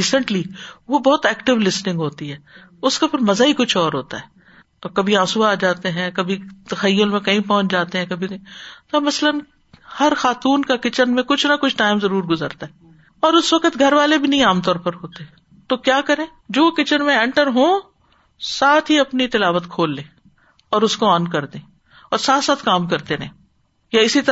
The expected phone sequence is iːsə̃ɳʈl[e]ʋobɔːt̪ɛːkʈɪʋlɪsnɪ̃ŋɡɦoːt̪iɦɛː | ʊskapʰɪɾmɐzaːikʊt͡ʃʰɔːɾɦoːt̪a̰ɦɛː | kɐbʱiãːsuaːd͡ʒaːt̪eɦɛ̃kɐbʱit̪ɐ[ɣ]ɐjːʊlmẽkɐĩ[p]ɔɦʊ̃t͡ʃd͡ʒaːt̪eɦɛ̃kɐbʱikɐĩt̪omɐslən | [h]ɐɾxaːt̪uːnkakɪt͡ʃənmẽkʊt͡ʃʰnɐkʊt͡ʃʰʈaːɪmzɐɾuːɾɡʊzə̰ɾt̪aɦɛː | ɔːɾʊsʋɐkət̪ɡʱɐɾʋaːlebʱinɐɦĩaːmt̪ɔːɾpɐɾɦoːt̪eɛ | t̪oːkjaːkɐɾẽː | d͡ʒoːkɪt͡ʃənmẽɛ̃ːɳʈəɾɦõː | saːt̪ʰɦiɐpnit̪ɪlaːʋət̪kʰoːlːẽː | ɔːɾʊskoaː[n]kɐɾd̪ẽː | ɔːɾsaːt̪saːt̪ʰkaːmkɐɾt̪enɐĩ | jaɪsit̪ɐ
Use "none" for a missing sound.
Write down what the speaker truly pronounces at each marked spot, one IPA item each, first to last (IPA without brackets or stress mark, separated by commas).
i, x, p, h, n